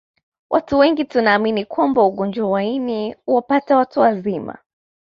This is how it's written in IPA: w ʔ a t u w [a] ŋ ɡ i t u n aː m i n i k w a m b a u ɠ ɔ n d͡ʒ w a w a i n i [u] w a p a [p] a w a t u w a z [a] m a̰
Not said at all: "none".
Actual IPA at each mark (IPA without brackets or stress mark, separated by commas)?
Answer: ɛ, u, t, i